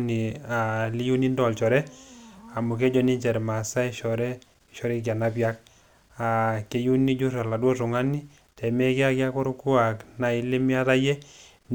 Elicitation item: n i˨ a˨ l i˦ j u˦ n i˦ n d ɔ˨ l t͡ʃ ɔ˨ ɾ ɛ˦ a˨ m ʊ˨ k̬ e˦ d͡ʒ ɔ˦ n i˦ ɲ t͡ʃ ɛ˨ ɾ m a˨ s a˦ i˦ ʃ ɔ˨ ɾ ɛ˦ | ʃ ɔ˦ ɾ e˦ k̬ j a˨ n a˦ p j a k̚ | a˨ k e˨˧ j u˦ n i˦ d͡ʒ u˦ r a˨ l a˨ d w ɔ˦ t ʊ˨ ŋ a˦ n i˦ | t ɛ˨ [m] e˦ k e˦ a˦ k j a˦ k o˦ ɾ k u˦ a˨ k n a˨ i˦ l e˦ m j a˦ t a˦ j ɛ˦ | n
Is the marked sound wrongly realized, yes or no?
no